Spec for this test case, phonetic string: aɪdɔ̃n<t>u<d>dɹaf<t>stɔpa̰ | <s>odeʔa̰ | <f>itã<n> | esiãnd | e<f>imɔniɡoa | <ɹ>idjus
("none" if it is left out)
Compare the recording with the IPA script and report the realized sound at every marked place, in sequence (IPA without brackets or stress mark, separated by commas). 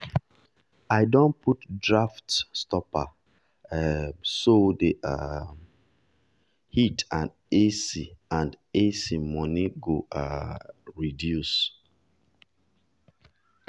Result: p, t, t, s, h, n, s, ɹ